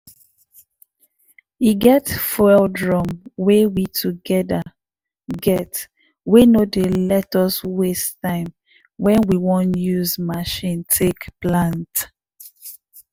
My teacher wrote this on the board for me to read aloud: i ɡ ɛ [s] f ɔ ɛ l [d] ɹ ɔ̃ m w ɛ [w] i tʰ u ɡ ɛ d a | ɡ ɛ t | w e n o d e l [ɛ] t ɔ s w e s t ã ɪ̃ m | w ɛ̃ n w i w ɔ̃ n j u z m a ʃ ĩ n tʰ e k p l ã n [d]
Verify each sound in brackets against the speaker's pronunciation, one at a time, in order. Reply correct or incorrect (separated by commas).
incorrect, correct, correct, correct, incorrect